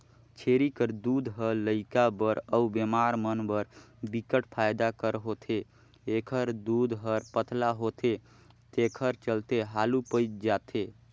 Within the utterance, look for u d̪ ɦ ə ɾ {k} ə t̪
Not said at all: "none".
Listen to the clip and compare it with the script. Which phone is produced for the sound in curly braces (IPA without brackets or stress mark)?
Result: p